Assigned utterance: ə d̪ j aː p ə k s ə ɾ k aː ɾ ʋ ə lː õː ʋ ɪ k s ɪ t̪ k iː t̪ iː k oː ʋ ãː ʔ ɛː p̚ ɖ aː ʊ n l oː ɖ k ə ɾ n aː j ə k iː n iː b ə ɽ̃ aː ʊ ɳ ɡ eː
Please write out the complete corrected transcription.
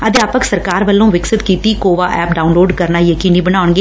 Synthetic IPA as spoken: ə d̪ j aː p ə k s ə ɾ k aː ɾ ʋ ə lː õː ʋ ɪ k s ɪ t̪ k iː t̪ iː k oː ʋ aː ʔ ɛː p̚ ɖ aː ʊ n l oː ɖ k ə ɾ n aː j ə k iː n iː b ə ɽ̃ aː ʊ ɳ ɡ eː